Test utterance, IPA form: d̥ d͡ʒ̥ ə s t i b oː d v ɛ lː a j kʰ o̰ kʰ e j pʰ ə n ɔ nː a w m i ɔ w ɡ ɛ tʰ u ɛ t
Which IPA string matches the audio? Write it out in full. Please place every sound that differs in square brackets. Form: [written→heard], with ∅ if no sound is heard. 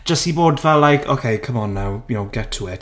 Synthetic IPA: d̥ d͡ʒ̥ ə s t i b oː d v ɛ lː a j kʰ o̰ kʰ e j [pʰ→kʰ] ə [n→m] ɔ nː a w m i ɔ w ɡ ɛ tʰ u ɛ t